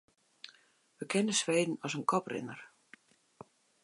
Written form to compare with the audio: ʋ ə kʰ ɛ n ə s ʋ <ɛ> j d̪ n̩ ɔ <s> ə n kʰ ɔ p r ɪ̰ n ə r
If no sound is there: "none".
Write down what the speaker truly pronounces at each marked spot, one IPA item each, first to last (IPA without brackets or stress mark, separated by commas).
e, s